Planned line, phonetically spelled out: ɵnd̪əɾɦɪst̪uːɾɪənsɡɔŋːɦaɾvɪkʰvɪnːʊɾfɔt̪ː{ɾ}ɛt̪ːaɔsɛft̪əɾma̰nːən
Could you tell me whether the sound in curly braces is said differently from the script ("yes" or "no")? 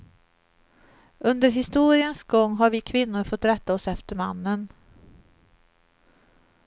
no